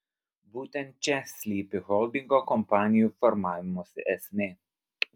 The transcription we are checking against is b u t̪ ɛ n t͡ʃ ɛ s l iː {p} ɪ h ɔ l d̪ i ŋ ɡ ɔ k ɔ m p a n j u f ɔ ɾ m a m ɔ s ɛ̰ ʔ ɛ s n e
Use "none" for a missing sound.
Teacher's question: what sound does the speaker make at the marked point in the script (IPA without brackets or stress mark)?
p